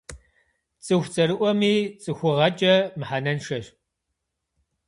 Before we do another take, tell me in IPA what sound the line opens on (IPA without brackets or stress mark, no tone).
t͡sʼ